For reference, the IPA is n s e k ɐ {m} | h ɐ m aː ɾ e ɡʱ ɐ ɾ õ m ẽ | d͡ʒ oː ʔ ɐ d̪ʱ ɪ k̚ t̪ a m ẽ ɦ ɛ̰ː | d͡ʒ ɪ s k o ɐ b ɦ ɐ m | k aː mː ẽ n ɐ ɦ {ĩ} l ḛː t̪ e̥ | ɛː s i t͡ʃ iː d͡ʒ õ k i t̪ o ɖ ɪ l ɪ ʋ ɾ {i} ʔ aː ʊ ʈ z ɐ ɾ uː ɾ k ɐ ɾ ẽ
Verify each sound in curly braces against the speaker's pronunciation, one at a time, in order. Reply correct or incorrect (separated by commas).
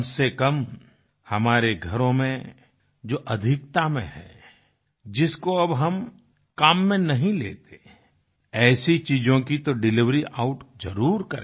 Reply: correct, correct, correct